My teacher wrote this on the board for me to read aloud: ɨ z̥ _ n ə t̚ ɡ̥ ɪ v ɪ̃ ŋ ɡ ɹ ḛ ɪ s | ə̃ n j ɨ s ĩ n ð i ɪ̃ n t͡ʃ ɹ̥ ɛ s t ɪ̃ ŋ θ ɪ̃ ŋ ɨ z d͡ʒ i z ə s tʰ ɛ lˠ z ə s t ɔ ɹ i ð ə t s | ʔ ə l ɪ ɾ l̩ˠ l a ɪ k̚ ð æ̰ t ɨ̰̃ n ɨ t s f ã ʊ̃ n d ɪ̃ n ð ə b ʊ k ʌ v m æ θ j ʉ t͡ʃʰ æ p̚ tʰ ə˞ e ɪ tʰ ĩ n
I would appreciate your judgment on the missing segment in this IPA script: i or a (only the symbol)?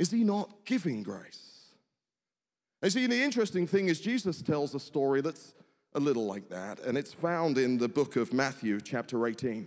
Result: i